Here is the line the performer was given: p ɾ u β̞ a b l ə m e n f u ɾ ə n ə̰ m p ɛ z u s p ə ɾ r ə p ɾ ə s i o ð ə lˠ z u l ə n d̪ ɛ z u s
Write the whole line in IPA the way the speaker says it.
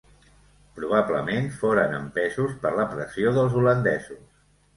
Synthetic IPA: p ɾ u β̞ a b l ə m e n f o ɾ ə n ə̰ m p ɛ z u s p ə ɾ l ə p ɾ ə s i o ð ə lˠ z u l ə n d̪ ɛ z u s